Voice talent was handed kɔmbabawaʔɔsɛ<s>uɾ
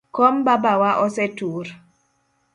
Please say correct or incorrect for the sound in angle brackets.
incorrect